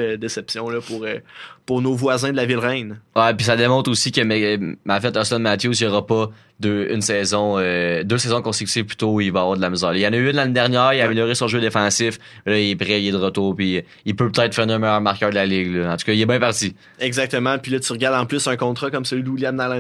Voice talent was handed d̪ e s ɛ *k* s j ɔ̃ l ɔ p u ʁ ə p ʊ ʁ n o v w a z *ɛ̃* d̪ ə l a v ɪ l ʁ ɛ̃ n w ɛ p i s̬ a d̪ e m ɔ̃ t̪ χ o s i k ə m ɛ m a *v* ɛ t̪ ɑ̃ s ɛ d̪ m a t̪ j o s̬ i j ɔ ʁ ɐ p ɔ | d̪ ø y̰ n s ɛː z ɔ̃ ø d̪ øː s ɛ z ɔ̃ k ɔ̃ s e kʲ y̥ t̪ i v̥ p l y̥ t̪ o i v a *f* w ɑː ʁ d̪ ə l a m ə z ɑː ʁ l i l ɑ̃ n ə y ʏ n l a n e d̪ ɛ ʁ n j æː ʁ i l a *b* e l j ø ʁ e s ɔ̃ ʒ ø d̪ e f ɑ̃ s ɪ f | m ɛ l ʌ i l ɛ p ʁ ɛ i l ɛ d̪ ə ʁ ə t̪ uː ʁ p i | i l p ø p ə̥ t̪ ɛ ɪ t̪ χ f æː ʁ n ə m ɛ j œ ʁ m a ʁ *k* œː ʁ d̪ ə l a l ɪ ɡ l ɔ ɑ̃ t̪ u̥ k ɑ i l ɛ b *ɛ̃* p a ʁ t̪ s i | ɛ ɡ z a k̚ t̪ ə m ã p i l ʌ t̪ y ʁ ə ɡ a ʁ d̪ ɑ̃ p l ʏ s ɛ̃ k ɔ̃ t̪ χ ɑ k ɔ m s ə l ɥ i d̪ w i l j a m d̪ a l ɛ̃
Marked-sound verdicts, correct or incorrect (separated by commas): incorrect, correct, incorrect, incorrect, incorrect, correct, correct